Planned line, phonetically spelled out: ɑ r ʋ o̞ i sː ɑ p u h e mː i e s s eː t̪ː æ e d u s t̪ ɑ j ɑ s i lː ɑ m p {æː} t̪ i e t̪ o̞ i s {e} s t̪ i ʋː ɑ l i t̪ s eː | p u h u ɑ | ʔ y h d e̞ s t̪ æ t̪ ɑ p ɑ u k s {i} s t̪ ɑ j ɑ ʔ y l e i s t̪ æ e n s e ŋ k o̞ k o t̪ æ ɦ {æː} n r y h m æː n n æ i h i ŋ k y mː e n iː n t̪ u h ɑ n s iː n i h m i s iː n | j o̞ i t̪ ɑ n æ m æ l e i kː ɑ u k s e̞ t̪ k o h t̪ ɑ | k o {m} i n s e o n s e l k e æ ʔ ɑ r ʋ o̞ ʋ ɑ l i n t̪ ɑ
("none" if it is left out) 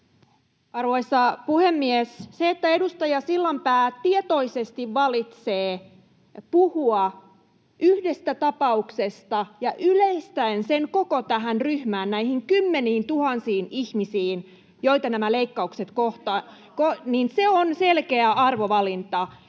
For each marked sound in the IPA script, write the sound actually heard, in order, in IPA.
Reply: æː, e, e, æ, n

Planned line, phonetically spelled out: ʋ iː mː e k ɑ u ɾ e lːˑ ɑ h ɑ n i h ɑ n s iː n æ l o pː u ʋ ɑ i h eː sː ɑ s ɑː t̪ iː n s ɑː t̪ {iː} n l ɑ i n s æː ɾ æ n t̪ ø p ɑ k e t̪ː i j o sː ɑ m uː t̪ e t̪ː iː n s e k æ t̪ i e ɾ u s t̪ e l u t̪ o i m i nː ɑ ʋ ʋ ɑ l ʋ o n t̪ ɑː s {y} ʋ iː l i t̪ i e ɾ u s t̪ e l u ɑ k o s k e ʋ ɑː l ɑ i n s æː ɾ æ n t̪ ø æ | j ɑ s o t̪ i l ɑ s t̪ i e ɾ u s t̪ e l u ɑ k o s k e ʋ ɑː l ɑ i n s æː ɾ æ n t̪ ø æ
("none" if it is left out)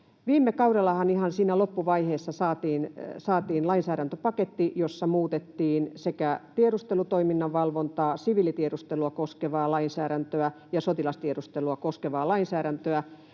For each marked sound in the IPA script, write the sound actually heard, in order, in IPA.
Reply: iː, i

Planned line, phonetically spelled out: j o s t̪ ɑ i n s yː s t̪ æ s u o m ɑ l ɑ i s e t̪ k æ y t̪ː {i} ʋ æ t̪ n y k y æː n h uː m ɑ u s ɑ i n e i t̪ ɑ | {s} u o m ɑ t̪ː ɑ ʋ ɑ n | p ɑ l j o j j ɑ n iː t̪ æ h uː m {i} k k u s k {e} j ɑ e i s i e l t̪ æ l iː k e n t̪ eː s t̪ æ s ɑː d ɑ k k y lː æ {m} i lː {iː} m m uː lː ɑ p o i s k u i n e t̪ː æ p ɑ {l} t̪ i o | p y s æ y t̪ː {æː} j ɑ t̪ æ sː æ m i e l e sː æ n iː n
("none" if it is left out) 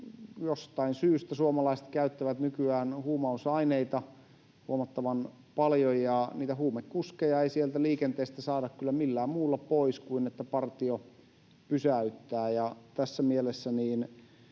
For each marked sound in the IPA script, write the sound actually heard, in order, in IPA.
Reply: æ, h, e, e, m, æː, r, æː

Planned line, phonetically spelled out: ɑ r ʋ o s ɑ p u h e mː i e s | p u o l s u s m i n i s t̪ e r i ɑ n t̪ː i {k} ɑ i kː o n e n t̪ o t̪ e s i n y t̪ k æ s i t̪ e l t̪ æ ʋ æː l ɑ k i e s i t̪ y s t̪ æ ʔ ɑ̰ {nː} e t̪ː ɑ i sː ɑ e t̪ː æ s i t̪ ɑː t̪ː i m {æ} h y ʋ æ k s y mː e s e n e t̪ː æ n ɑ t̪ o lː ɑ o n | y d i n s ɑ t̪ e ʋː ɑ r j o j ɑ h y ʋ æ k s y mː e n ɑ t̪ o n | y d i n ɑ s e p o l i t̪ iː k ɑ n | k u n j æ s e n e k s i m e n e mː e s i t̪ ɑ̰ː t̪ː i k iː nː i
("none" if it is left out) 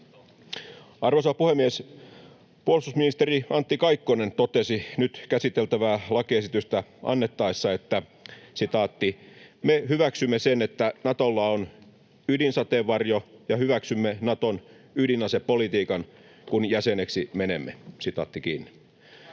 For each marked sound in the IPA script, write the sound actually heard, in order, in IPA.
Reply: k, nː, e

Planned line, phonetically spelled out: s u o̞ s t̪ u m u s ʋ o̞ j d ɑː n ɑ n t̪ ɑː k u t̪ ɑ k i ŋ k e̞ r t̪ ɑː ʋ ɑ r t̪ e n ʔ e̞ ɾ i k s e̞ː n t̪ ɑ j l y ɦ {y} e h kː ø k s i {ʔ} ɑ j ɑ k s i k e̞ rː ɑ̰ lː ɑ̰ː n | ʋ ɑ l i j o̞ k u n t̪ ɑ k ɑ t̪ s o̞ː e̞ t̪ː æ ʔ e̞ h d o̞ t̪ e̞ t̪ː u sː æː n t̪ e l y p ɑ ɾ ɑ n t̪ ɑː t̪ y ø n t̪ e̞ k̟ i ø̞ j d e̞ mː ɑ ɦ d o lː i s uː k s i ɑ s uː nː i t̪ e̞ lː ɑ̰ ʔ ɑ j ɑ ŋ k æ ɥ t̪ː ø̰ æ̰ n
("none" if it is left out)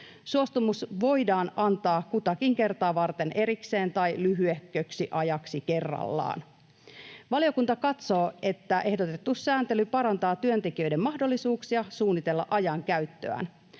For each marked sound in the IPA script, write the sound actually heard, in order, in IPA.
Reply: y, ʔ

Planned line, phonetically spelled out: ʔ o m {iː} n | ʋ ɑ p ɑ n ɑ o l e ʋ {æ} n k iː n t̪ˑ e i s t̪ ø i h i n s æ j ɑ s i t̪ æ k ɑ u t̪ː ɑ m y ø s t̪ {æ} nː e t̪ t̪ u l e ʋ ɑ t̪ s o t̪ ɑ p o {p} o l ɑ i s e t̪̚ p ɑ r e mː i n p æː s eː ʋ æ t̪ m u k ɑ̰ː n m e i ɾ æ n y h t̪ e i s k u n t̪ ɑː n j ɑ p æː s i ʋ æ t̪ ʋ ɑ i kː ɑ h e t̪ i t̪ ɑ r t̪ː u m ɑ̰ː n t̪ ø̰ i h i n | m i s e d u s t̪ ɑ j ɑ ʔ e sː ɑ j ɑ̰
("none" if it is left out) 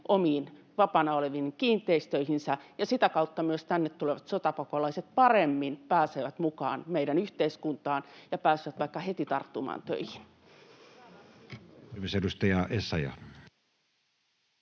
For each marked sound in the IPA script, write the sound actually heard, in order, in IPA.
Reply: iː, i, æ, k

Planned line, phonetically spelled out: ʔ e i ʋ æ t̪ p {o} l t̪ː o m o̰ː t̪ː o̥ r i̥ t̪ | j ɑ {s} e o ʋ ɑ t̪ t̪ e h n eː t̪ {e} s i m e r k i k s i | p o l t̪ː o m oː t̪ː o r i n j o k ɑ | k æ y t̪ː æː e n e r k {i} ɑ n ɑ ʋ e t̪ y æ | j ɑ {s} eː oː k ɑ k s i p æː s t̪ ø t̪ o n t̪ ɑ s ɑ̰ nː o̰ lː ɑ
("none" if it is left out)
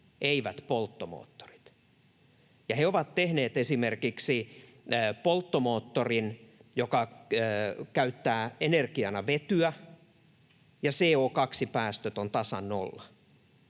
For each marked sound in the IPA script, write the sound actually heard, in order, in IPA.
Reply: o, h, e, i, s

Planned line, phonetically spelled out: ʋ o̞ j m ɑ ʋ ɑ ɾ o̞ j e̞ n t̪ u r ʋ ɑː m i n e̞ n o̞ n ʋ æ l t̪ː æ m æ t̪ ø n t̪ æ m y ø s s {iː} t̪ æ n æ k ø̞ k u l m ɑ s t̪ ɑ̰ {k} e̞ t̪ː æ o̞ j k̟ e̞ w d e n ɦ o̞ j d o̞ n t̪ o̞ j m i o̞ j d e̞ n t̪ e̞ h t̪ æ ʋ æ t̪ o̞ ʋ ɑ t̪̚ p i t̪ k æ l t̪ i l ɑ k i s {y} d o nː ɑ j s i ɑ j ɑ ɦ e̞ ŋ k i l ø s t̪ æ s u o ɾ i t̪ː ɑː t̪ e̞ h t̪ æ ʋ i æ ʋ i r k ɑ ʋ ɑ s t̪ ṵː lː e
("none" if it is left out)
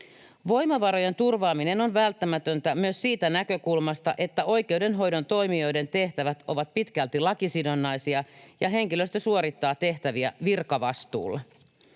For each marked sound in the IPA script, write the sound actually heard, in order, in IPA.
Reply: iː, ʔ, i

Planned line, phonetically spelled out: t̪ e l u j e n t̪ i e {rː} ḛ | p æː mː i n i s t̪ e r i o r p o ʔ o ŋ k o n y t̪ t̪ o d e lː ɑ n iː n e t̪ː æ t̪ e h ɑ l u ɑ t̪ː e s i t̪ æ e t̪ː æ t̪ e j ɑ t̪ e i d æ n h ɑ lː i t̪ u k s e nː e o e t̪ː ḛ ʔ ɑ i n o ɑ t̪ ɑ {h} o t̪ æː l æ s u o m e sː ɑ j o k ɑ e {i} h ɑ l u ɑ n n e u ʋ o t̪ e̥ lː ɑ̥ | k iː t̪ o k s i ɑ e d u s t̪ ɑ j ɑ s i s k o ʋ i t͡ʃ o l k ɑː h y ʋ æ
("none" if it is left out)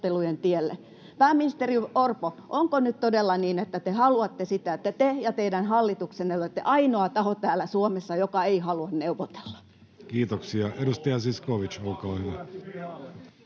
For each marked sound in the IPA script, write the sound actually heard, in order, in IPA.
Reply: lː, h, i

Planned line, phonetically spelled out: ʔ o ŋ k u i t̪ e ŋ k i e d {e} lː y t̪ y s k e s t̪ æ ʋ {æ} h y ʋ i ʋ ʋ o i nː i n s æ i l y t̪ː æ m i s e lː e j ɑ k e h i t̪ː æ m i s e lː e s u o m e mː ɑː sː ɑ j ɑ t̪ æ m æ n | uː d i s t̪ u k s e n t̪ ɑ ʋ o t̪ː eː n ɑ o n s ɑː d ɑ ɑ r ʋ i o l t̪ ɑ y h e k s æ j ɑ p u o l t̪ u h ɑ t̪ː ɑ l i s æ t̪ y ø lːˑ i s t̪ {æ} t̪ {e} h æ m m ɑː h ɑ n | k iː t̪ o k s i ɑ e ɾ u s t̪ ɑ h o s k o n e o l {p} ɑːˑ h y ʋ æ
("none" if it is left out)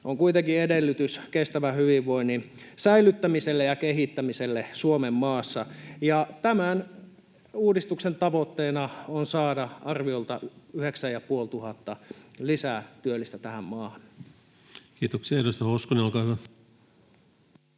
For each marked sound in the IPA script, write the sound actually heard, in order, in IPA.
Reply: e, æ, æ, æ, k

